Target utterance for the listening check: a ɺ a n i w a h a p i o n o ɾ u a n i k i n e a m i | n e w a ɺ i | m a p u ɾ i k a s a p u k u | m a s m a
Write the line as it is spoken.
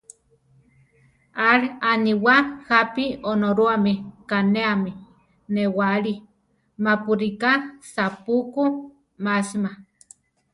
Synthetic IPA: a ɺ a n i w a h a p i o n o ɾ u a m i k a n e a m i | n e w a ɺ i | m a p u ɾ i k a s a p u k u | m a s m a